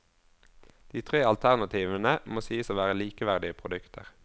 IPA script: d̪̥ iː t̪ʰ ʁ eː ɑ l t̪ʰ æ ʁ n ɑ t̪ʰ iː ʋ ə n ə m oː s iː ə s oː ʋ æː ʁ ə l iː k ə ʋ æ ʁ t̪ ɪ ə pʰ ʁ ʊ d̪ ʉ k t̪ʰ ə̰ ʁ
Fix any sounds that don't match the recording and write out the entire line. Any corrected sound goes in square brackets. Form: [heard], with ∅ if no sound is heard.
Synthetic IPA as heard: d̪̥ iː t̪ʰ ʁ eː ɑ l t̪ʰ æ ʁ n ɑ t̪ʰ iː ʋ ə n ə m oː s iː ə s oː ʋ æː ʁ ə l iː k ə ʋ æ ʁ [d̪] ɪ ə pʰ ʁ ʊ d̪ ʉ k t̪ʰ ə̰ ʁ